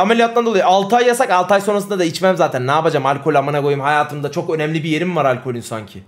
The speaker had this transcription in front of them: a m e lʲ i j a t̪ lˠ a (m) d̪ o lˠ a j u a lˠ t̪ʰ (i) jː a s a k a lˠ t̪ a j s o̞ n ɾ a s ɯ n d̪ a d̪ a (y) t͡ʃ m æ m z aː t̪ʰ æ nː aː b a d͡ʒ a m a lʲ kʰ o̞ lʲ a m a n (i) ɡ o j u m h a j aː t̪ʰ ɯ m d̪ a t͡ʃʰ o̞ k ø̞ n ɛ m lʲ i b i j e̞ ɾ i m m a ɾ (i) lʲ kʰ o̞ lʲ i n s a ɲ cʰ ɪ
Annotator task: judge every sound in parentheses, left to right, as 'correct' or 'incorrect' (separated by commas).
incorrect, incorrect, incorrect, incorrect, incorrect